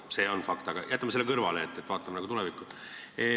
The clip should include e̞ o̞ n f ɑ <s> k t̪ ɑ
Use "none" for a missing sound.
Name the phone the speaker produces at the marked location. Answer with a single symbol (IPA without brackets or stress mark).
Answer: none